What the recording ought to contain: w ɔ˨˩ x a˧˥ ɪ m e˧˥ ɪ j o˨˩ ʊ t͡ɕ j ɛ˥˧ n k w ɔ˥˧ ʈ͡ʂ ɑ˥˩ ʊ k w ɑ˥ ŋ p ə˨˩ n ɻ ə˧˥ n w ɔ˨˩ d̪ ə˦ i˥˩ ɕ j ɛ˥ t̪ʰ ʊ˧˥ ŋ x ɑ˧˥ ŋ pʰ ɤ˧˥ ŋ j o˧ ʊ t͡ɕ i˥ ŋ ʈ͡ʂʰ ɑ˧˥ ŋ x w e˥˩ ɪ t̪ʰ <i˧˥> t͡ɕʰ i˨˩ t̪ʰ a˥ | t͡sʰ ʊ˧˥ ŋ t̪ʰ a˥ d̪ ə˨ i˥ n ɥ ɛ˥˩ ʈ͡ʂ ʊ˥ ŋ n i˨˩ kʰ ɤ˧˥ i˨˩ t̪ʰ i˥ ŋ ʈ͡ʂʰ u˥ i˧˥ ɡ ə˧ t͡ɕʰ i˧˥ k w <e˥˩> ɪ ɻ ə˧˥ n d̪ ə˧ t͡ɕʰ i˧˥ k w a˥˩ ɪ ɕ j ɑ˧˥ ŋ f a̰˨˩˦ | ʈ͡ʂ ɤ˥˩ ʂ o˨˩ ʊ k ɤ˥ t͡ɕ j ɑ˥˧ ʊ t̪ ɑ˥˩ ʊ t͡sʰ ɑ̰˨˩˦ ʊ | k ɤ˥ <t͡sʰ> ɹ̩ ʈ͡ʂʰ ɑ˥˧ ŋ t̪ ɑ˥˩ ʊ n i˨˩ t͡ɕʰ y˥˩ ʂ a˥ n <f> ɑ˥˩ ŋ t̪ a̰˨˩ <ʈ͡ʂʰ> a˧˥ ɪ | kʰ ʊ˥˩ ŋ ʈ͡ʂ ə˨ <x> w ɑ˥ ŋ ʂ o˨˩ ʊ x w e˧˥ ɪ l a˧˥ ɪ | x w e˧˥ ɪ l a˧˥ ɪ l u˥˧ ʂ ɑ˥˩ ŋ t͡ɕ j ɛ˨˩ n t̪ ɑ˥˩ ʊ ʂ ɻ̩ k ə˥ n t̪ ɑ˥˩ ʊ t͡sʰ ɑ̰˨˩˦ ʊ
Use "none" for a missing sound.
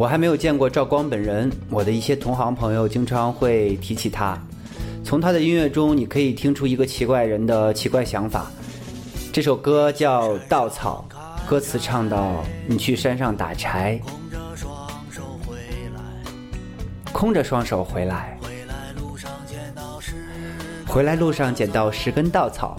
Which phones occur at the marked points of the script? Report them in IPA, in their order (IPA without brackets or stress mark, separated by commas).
i˧˥, a˥˩, t͡sʰ, ʂ, ʈ͡ʂʰ, ʂ